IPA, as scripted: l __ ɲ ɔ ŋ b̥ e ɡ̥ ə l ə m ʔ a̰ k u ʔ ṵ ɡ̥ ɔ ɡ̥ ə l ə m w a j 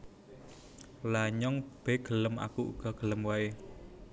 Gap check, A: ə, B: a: B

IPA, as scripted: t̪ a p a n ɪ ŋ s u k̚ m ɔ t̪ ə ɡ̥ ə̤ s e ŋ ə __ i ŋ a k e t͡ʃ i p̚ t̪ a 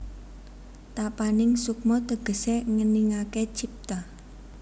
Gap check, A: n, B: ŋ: A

